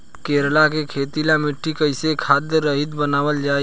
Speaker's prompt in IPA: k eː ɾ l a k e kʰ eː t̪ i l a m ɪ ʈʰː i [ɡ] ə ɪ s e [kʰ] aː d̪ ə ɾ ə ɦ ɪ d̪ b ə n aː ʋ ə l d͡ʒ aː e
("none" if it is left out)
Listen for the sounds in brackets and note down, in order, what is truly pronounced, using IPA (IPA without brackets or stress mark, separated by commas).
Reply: k, kʰ